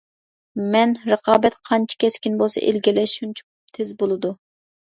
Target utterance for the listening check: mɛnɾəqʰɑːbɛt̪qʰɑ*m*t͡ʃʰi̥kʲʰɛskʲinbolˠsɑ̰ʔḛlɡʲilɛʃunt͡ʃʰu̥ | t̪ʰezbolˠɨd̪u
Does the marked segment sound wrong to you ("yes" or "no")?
yes